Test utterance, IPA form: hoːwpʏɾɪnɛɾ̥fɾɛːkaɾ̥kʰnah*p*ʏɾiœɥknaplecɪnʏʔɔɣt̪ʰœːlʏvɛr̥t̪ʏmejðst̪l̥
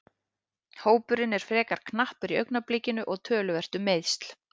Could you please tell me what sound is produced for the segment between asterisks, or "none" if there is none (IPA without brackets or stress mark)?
p